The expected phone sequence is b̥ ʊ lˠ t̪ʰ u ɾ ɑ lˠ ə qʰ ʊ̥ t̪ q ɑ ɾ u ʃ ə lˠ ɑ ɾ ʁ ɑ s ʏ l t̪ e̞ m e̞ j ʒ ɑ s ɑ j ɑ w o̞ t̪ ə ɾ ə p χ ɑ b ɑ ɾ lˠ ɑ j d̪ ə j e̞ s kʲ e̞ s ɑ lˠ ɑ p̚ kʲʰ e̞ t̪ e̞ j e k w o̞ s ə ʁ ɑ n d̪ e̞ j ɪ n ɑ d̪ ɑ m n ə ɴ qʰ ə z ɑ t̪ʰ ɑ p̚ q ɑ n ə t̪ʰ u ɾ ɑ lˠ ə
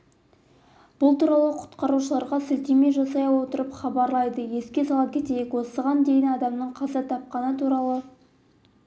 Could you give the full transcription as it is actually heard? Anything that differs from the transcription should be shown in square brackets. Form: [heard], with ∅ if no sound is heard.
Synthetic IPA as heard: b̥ ʊ lˠ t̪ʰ u ɾ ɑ lˠ ə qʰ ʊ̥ t̪ q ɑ ɾ u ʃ ə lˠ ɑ ɾ ʁ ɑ s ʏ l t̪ e̞ m e̞ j ʒ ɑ s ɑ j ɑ w o̞ t̪ ə ɾ ə p χ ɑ b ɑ ɾ lˠ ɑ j d̪ ə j e̞ s kʲ e̞ s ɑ lˠ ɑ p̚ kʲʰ e̞ t̪ e̞ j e k w o̞ s ə ʁ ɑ n d̪ e̞ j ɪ n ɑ d̪ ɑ m n ə ɴ qʰ [ɑ] z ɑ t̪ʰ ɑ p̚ q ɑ n ə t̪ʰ u ɾ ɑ lˠ ə